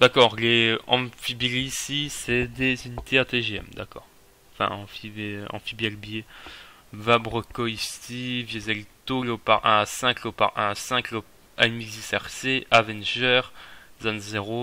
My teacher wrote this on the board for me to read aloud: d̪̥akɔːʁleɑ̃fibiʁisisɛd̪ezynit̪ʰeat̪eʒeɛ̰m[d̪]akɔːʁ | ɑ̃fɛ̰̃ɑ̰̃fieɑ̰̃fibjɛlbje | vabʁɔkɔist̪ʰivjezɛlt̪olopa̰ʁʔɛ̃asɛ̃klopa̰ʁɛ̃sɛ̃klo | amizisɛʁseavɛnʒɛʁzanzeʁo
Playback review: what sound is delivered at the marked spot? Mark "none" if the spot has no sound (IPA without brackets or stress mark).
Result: d̪